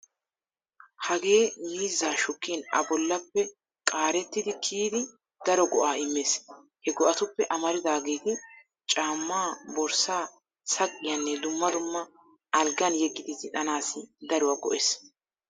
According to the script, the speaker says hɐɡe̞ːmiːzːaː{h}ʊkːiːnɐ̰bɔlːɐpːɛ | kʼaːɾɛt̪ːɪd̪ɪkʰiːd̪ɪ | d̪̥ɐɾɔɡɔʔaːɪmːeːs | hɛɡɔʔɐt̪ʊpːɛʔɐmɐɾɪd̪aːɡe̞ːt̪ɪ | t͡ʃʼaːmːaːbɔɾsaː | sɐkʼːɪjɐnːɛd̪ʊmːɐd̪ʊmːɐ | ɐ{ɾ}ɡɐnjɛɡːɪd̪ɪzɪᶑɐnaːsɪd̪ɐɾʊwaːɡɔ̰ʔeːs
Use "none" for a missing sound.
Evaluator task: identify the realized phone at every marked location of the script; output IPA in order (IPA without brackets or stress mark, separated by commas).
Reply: ʃ, l